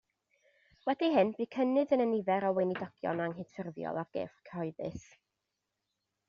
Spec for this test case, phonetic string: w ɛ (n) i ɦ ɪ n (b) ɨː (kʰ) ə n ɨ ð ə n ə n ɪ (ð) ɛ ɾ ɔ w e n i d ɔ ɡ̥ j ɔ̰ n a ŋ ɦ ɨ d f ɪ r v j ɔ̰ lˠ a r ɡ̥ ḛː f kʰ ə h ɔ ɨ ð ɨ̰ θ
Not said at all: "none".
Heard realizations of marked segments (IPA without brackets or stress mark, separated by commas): d, b, kʰ, v